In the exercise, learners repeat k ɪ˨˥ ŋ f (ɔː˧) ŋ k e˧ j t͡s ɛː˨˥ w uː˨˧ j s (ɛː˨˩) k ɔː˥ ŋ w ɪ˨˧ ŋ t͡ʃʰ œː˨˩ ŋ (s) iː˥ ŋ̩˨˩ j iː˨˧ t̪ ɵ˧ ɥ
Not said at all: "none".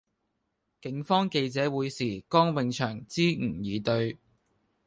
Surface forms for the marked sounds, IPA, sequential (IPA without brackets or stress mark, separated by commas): ɔː˥, iː˨˩, t͡s